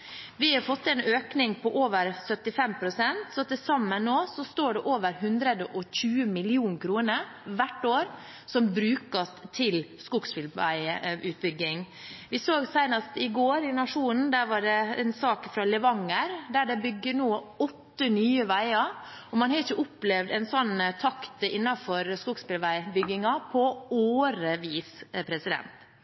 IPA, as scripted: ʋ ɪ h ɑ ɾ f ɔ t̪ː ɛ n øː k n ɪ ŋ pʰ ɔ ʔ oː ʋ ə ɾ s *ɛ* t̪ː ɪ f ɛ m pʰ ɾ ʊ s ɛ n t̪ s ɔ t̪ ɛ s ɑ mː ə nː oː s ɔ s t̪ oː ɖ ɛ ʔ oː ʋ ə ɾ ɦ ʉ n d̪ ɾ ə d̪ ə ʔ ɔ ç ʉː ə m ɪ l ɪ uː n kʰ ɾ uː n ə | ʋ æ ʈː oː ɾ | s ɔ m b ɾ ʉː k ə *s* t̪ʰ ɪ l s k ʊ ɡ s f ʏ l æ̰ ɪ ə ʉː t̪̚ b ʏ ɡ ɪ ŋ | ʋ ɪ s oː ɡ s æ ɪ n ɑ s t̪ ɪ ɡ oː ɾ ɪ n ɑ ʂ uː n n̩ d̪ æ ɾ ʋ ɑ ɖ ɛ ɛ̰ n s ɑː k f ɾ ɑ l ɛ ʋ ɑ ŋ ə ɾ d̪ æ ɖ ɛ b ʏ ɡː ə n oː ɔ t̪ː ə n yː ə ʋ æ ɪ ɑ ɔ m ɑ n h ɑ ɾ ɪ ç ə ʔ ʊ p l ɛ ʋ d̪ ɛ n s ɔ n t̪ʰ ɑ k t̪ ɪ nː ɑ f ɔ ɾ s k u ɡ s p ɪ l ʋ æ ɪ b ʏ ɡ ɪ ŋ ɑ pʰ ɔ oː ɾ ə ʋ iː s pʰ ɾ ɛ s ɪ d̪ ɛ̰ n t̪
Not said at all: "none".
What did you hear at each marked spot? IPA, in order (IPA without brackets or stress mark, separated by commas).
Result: œ, s